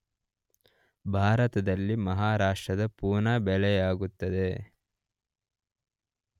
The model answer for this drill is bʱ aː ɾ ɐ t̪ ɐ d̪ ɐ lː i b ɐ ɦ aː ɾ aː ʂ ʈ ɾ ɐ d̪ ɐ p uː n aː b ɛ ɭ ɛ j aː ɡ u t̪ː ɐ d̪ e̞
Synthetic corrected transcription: bʱ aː ɾ ɐ t̪ ɐ d̪ ɐ lː i m ɐ ɦ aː ɾ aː ʂ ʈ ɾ ɐ d̪ ɐ p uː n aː b ɛ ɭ ɛ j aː ɡ u t̪ː ɐ d̪ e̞